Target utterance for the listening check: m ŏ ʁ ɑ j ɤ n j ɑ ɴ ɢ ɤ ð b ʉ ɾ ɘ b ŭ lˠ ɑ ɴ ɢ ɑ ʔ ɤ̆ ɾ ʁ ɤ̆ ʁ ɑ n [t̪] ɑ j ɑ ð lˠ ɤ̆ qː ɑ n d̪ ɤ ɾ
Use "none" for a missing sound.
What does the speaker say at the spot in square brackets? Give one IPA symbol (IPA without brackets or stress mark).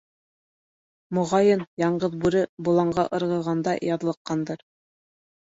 d̪